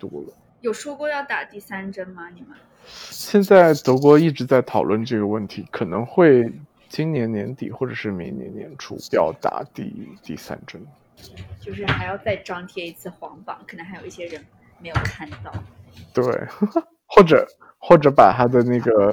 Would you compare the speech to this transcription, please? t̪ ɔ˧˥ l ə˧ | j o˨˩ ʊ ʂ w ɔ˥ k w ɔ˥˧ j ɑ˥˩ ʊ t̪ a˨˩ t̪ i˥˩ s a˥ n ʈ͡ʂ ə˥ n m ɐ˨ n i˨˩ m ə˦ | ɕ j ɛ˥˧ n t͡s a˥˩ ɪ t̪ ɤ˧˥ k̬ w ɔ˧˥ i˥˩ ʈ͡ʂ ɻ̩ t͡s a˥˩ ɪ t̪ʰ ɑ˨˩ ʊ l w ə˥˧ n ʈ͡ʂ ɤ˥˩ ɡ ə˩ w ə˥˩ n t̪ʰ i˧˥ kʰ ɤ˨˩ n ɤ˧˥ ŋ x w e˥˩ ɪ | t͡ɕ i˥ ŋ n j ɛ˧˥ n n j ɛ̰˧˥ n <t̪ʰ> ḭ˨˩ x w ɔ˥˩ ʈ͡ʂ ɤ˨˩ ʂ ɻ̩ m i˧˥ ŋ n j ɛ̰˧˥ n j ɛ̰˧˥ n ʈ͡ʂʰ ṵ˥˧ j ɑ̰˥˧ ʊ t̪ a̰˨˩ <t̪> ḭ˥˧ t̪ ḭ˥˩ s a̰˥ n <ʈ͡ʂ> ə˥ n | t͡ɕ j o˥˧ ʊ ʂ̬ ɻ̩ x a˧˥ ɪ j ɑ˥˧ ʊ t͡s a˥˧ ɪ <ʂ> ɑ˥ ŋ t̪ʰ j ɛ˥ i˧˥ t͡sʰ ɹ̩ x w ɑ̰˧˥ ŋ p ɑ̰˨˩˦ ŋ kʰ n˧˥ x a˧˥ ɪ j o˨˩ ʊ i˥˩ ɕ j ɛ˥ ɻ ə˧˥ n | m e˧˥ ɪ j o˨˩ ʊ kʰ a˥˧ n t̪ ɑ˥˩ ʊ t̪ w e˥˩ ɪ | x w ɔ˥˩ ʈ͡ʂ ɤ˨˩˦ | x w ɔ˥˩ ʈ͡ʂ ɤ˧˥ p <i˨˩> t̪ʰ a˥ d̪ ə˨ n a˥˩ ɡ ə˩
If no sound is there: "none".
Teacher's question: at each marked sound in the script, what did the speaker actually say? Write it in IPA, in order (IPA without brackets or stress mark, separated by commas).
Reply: t̪, t̪, ʈ͡ʂ, ʈ͡ʂ, a˨˩